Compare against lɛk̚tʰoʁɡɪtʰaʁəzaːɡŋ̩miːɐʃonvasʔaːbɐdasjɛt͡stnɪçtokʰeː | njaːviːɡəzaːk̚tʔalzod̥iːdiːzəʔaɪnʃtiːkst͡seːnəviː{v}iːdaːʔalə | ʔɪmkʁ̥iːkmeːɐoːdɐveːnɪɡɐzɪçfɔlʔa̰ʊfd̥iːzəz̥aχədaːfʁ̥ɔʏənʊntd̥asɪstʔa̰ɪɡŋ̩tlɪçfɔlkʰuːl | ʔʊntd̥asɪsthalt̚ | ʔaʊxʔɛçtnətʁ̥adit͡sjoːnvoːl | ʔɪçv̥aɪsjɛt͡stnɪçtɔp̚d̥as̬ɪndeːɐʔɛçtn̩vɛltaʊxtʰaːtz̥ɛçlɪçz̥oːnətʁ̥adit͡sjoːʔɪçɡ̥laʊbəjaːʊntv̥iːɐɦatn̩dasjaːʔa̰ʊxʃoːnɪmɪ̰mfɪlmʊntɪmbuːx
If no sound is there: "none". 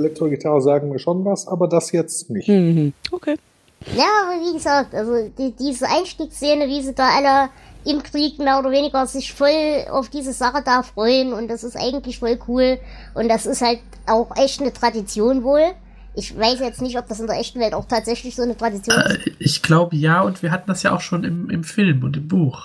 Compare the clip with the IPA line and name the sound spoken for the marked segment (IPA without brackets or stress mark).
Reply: z